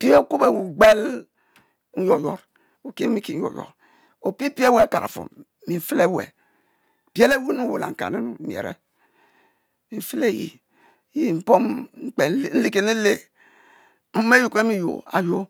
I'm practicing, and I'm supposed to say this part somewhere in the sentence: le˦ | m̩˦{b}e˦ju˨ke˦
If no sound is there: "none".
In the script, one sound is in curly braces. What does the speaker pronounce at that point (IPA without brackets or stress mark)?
m